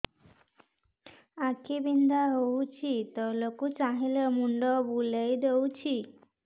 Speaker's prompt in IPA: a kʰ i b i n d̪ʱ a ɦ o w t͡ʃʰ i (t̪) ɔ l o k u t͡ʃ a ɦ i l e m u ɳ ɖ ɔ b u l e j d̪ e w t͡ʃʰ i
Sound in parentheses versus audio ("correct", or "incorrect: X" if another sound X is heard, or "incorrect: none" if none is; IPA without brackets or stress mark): correct